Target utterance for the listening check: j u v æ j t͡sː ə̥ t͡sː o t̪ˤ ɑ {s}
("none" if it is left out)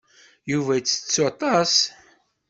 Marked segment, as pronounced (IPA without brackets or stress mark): s